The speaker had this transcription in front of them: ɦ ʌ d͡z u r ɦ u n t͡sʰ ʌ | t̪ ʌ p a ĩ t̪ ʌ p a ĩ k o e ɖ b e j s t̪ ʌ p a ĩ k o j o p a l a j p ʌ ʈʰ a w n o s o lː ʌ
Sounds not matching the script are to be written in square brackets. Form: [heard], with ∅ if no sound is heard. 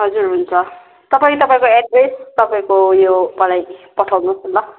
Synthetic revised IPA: ɦ ʌ d͡z u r ɦ u n t͡sʰ ʌ | t̪ ʌ p a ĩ t̪ ʌ p a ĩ k o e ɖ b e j s t̪ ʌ p a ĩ k o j o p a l a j p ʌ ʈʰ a w n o s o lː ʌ